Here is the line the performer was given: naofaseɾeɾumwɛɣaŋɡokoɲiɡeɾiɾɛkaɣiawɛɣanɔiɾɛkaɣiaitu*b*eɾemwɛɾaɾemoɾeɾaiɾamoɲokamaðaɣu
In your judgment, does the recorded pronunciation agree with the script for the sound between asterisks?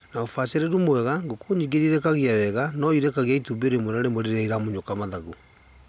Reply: yes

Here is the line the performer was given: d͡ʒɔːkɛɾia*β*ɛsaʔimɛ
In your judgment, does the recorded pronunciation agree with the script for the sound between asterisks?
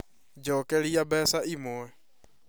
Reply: no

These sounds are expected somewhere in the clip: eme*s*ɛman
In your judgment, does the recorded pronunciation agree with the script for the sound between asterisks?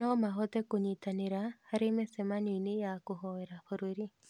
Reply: yes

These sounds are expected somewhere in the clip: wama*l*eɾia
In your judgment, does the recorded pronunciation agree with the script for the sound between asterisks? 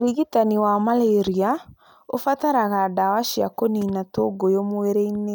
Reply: yes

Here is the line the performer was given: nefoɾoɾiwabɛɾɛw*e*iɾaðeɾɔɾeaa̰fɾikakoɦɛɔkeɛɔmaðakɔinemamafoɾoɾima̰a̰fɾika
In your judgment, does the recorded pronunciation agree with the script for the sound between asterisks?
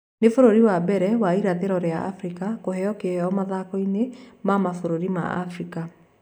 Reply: no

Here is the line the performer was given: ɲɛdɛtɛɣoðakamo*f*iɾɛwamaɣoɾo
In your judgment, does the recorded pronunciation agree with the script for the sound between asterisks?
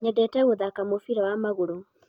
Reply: yes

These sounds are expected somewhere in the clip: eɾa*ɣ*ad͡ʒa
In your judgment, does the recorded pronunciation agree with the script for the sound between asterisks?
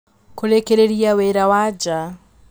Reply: no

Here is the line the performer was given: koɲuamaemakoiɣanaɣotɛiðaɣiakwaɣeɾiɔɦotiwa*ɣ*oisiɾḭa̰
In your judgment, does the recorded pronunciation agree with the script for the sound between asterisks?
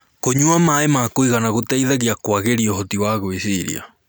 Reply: yes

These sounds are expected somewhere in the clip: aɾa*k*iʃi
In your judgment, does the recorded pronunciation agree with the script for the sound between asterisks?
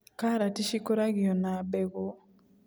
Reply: no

